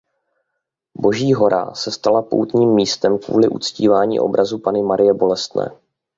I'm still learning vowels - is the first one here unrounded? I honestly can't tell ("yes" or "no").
no